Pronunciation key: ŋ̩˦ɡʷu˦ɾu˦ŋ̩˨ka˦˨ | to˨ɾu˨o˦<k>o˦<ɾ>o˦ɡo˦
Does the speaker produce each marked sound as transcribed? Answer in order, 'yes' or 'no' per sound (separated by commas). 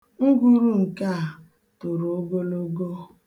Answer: no, no